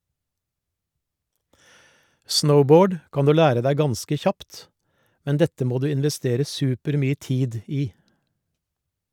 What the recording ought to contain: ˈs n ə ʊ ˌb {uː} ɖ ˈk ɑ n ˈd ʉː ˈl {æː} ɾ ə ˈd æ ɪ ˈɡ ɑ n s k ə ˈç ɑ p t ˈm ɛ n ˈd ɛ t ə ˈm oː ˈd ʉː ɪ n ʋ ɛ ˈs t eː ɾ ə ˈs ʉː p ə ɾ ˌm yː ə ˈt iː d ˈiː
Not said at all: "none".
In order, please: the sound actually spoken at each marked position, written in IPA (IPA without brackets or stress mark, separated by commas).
oː, æː